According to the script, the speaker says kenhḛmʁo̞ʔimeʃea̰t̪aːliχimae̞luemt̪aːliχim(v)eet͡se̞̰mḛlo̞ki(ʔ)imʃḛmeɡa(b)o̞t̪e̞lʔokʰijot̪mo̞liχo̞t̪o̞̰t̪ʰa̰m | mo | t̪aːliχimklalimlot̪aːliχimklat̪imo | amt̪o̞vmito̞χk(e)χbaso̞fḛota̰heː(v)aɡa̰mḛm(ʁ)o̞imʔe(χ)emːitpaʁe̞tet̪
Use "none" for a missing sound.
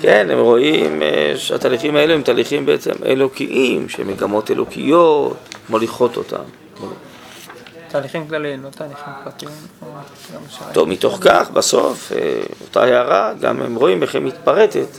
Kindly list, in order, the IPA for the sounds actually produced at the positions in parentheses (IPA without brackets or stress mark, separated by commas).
b, ʔ, m, a, ʁ, ʁ, χ